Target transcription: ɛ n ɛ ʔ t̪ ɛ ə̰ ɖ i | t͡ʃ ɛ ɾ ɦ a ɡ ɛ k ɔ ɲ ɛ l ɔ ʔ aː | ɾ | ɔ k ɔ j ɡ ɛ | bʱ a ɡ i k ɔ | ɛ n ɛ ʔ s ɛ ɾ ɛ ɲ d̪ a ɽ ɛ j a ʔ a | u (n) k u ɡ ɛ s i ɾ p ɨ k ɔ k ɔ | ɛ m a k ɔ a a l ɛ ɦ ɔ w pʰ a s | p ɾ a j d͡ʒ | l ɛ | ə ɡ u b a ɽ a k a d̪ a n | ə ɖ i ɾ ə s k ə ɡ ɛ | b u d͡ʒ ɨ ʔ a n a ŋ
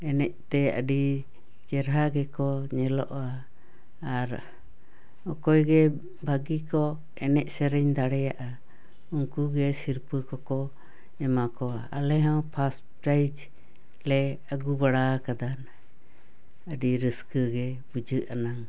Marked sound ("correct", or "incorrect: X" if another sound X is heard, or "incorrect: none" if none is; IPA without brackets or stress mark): incorrect: ŋ